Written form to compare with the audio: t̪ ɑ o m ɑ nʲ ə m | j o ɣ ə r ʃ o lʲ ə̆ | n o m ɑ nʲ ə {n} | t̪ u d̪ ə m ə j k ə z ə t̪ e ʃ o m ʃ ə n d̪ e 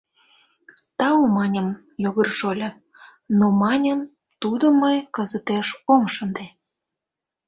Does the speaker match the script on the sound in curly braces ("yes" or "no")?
no